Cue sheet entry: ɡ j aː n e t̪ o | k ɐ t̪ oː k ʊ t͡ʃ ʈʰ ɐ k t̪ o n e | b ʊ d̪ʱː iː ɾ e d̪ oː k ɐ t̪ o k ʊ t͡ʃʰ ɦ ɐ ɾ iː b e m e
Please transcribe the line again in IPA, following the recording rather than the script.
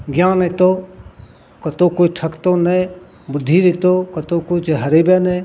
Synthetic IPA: ɡ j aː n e t̪ o | k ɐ t̪ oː k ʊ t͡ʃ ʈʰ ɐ k t̪ o n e | b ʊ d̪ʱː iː ɾ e t̪ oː k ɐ t̪ o k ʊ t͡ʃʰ ɦ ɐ ɾ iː b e n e